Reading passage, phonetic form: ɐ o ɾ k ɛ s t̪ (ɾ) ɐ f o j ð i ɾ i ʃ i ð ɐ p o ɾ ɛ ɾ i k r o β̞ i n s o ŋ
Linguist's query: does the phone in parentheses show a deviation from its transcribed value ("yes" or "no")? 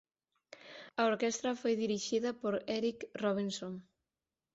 no